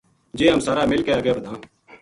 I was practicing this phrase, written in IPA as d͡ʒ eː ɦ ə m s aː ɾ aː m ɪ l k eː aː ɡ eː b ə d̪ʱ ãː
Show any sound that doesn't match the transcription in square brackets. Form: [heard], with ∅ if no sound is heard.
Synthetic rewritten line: d͡ʒ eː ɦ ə m s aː ɾ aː m ɪ l k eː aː ɡ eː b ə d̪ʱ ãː